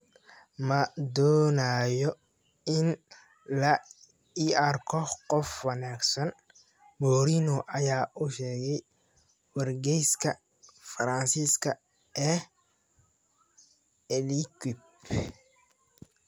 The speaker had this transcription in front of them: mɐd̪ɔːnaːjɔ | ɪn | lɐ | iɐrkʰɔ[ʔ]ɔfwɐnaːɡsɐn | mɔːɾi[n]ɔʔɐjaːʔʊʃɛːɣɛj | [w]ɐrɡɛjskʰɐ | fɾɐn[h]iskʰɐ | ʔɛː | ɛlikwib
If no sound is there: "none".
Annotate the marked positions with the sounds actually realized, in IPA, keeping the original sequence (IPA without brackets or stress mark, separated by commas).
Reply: q, n, w, s